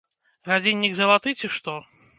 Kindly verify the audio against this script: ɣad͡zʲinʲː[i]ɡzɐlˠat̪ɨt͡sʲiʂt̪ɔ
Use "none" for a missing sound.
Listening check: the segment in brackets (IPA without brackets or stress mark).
i